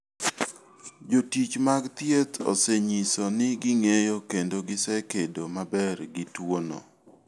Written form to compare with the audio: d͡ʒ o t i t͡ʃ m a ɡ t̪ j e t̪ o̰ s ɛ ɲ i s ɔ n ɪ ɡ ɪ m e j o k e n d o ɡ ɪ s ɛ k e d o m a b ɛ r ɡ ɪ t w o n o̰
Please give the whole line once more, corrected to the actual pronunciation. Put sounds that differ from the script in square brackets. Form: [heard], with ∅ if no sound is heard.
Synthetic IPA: d͡ʒ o t i t͡ʃ m a ɡ t̪ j e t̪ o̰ s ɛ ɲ i s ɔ n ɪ ɡ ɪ [ŋ] e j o k e n d o ɡ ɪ s ɛ k e d o m a b ɛ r ɡ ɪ t w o n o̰